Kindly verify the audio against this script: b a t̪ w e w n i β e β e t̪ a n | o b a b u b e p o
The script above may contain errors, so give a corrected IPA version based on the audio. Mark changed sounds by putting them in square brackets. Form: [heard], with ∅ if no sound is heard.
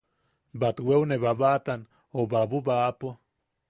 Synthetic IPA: b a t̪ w e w n [e] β [a] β [a] t̪ a n | o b a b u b [a] p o